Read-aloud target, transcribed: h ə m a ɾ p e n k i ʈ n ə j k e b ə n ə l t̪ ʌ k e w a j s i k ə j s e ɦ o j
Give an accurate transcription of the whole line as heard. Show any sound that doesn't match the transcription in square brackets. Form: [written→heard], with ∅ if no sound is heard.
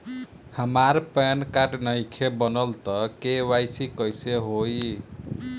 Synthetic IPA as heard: h ə m a ɾ p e n k [i→a] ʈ n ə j [k→kʰ] e b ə n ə l t̪ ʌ k e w a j s i k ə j s e ɦ o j